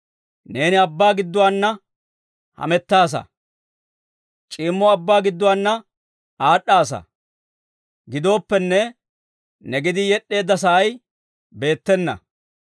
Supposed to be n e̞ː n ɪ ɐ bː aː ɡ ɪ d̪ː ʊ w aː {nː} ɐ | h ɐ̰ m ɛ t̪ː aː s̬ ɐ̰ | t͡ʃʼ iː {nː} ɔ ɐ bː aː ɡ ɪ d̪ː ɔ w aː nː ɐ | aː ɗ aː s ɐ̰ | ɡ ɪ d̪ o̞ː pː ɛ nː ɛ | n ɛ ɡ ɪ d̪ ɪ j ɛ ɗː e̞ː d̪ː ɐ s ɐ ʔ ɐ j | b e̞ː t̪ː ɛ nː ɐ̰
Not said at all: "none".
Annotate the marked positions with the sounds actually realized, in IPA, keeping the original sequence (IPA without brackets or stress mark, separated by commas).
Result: nː, mː